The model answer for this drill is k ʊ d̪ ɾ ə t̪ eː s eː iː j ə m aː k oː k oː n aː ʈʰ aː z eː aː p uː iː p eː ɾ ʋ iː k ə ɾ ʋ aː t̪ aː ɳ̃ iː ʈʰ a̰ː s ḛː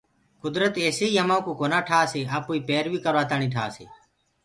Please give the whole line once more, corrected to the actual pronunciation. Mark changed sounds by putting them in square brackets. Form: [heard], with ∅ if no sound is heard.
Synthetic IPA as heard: k ʊ d̪ ɾ ə t̪ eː s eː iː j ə m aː k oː k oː n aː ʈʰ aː [s] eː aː p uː iː p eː ɾ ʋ iː k ə ɾ ʋ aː t̪ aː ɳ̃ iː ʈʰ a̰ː s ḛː